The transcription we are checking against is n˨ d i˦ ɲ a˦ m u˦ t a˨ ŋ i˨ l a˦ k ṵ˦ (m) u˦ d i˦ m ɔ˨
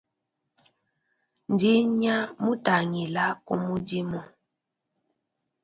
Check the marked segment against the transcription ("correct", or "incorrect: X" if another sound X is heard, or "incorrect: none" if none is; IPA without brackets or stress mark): correct